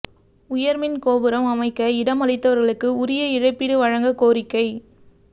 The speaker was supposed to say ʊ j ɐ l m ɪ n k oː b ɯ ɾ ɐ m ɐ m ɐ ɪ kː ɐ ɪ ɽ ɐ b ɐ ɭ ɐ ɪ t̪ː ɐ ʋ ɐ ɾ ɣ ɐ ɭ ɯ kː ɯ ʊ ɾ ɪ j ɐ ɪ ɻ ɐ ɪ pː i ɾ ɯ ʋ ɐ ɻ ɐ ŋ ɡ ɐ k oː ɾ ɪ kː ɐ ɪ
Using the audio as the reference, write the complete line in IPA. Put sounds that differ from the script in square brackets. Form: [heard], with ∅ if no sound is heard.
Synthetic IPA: ʊ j ɐ [ɾ] m ɪ n k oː b ɯ ɾ ɐ m ɐ m ɐ ɪ kː ɐ ɪ ɽ ɐ [m] ɐ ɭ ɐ ɪ t̪ː ɐ ʋ ɐ ɾ ɣ ɐ ɭ ɯ kː ɯ ʊ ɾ ɪ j ɐ ɪ ɻ ɐ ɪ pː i [ɽ] ɯ ʋ ɐ ɻ ɐ ŋ ɡ ɐ k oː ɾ ɪ kː ɐ ɪ